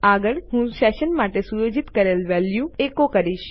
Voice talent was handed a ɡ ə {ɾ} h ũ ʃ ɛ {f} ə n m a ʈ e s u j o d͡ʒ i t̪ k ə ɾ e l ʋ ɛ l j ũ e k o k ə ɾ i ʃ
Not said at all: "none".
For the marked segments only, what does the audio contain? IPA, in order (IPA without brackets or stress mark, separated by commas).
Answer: ɭ, ʃ